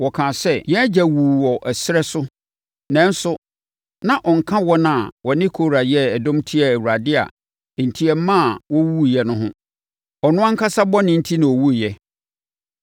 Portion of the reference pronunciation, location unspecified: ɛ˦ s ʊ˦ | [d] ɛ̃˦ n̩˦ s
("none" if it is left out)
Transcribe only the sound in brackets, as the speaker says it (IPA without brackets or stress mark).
n